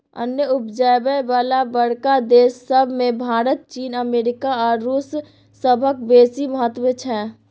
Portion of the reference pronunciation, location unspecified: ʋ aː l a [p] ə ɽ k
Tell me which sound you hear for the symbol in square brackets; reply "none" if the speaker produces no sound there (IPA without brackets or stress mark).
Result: b